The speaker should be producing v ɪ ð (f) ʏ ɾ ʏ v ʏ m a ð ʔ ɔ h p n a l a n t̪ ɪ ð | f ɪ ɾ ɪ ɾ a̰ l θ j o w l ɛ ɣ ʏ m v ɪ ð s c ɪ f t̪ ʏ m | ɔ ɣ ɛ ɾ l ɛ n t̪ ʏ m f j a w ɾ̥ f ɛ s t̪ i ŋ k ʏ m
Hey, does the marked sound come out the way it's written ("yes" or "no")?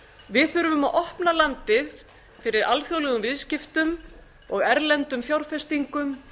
no